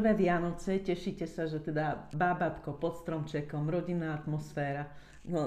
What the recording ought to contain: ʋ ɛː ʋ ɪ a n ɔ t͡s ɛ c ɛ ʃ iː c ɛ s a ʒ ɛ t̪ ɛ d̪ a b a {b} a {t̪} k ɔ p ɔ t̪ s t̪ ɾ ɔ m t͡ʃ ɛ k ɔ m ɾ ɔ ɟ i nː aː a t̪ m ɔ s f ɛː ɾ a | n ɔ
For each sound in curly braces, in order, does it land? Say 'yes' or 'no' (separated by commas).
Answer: yes, yes